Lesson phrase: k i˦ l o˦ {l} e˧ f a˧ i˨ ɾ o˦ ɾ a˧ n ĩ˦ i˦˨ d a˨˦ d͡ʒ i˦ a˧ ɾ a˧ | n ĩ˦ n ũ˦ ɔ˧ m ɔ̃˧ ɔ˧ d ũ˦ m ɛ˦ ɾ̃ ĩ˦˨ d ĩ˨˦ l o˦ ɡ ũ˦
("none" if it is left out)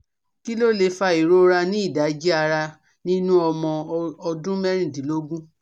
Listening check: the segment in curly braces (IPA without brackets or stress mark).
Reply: l